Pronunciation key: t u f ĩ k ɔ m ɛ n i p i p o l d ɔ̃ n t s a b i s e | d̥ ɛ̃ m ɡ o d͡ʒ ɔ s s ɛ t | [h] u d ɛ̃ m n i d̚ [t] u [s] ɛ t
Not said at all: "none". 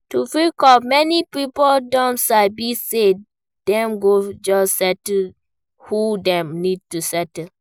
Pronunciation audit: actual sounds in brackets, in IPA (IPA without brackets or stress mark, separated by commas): h, t, s